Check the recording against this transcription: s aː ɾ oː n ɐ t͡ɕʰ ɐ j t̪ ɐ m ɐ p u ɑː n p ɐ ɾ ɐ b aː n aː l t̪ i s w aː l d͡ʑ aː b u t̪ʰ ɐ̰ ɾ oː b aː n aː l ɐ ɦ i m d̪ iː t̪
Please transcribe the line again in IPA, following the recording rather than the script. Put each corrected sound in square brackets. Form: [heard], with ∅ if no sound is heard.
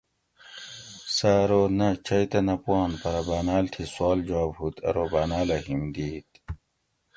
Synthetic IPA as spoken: s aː ɾ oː n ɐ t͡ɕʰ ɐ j t̪ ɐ [n] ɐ p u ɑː n p ɐ ɾ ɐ b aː n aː l [t̪ʰ] i s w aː l d͡ʑ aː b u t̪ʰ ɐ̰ ɾ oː b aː n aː l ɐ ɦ i m d̪ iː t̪